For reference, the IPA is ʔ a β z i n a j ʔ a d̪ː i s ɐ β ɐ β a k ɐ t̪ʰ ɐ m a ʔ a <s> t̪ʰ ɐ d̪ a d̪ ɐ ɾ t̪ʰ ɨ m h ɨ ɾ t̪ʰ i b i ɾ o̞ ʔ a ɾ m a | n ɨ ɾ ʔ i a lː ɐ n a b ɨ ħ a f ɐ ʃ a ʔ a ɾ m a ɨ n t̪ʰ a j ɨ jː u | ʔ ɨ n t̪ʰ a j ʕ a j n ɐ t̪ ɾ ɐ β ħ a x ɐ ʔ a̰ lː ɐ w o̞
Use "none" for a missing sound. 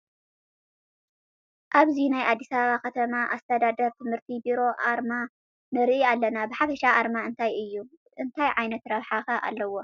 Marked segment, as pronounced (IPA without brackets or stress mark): s